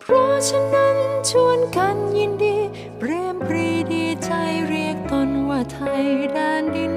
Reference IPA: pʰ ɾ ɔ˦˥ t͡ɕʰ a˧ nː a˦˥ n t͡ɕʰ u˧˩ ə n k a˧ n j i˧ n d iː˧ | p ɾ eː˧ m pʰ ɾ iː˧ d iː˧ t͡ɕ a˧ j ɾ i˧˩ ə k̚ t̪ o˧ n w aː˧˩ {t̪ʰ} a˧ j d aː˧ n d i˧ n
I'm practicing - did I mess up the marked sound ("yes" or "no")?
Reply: no